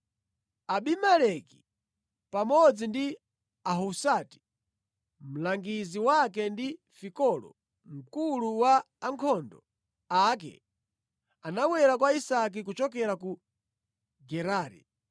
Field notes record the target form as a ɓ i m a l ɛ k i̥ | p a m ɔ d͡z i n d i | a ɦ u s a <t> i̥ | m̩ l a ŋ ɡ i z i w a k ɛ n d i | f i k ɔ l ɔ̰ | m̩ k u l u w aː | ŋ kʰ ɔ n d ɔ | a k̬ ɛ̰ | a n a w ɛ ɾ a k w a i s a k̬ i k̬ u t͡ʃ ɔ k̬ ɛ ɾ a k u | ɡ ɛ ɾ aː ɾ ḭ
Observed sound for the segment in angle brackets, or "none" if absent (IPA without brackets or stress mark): t